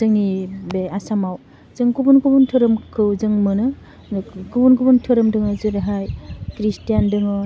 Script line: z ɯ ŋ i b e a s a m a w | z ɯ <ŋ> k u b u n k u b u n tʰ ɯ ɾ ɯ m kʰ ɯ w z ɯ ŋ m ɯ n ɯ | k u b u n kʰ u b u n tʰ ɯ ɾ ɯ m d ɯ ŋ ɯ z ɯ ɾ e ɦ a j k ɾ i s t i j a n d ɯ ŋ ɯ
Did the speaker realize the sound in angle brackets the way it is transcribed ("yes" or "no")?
yes